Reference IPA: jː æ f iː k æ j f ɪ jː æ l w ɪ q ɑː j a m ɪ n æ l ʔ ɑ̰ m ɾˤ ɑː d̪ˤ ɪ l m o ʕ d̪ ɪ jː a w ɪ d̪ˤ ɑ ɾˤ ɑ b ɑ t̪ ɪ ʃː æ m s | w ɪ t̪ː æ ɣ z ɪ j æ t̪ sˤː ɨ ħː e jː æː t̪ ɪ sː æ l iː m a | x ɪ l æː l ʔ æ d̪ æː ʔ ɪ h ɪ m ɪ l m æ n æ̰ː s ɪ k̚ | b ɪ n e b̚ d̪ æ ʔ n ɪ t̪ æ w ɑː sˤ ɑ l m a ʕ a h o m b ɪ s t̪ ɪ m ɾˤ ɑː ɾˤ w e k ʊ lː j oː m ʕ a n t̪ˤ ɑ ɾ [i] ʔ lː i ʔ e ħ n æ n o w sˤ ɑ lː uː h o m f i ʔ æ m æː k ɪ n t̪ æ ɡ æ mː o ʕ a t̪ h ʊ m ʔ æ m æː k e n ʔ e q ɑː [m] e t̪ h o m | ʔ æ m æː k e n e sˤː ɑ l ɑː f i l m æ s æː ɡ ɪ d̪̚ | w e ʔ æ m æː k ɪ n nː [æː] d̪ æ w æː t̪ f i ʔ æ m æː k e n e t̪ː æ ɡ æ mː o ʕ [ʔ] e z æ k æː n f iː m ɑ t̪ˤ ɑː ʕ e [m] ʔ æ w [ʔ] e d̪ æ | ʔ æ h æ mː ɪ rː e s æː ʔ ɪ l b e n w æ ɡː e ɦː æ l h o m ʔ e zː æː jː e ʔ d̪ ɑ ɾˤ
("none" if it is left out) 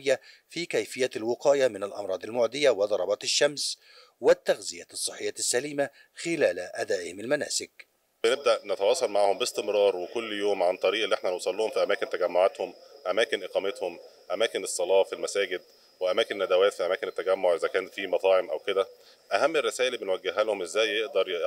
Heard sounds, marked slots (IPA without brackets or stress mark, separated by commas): iː, m, æ, ʔ, m, k